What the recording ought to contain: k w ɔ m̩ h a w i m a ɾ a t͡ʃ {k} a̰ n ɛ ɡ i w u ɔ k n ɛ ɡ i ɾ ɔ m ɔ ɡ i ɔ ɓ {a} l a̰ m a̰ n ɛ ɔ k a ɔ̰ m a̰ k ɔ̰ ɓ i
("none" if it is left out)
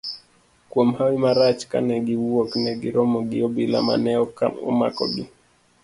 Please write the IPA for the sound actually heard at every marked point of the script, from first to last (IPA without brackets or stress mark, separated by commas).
k, i